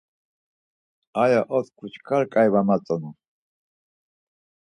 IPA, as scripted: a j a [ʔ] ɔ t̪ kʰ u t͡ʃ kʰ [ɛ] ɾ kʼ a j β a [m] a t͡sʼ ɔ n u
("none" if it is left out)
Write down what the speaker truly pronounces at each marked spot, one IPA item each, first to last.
ʔ, a, m

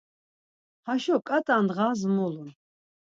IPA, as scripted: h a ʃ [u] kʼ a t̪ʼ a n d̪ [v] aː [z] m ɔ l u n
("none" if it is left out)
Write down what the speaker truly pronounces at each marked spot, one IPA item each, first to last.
ɔ, ʁ, z

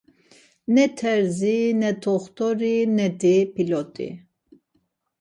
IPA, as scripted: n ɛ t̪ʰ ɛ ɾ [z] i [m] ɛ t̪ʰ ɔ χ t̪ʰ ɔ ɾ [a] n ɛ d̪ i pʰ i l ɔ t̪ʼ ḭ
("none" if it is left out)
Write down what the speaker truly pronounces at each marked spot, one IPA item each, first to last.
z, n, i

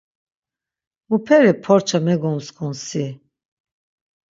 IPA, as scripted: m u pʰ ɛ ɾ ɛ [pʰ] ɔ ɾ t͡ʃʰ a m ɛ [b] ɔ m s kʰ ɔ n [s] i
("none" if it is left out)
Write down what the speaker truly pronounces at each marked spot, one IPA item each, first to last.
pʰ, ɡ, s

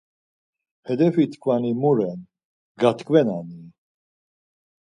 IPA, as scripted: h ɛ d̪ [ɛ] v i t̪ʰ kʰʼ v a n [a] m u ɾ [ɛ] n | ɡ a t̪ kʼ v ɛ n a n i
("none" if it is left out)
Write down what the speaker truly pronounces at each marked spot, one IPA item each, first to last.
ɛ, i, ɛ

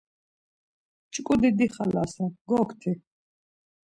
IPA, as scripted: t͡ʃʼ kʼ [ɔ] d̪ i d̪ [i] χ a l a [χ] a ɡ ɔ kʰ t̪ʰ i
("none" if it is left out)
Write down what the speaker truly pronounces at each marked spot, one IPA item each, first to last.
u, i, s

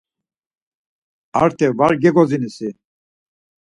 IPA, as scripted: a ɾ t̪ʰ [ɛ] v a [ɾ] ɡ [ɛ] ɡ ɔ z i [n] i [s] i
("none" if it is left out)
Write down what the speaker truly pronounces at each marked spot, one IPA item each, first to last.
ɛ, ɾ, ɛ, n, s

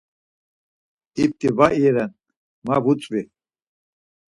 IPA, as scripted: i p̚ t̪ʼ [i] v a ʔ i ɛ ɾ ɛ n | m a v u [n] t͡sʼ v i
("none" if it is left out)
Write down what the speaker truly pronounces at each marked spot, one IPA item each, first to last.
i, none

